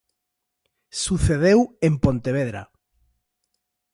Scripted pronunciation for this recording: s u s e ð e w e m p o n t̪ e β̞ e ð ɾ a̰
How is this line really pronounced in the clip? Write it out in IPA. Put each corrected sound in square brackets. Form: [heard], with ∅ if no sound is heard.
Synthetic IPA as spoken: s u [θ] e ð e w e m p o n t̪ e β̞ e ð ɾ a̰